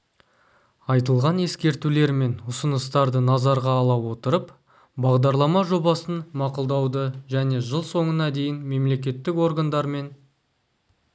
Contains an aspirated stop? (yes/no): no